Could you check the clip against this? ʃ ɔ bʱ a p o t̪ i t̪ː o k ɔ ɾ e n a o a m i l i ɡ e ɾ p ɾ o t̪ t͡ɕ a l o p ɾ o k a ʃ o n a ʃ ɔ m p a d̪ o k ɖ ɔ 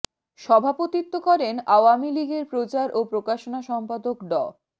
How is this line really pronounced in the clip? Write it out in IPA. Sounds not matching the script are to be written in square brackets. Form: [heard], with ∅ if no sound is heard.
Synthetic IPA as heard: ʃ ɔ bʱ a p o t̪ i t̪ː o k ɔ ɾ e n a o a m i l i ɡ e ɾ p ɾ o [∅] t͡ɕ a [ɾ] o p ɾ o k a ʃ o n a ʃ ɔ m p a d̪ o k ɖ ɔ